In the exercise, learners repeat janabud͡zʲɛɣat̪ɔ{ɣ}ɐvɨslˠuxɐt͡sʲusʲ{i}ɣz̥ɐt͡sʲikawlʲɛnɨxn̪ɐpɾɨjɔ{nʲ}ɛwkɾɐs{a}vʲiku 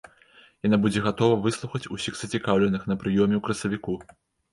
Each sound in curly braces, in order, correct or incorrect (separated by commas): incorrect, correct, incorrect, incorrect